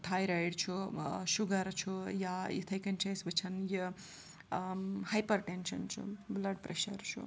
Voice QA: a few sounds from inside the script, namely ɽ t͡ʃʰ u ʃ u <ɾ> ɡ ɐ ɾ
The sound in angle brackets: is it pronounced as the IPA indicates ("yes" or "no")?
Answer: no